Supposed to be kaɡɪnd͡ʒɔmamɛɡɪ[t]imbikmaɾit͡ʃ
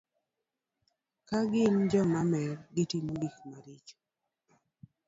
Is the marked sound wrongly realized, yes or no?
no